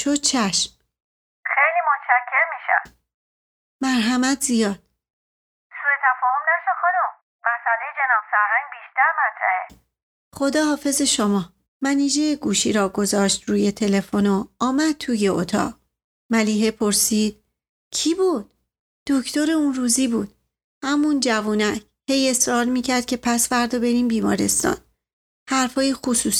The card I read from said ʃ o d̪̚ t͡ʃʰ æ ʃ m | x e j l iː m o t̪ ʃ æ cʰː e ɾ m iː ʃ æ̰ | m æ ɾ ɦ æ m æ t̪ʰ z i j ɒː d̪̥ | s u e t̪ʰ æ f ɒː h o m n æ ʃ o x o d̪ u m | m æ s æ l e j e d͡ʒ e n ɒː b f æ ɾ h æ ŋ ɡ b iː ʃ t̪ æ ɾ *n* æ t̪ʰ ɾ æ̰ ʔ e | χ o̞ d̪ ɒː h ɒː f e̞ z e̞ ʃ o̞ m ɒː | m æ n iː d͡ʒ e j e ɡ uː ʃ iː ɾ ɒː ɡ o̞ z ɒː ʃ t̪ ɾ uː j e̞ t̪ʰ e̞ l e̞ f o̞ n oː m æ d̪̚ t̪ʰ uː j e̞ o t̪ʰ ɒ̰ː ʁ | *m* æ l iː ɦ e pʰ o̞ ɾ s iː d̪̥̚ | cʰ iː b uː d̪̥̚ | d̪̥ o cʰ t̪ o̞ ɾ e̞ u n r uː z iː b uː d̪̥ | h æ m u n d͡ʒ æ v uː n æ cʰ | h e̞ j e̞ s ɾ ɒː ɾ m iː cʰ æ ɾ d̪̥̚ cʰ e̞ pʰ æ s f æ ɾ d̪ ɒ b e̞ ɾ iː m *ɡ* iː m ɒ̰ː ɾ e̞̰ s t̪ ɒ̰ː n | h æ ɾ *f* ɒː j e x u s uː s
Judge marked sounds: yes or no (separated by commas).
no, yes, no, yes